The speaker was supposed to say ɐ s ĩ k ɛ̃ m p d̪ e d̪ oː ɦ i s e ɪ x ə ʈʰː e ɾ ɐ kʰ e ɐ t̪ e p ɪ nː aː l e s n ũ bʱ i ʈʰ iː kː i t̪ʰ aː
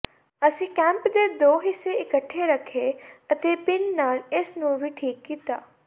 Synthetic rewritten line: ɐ s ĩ k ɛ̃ m p d̪ e d̪ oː ɦ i s e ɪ k ə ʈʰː e ɾ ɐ kʰ e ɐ t̪ e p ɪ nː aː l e s n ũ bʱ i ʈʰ iː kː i t̪ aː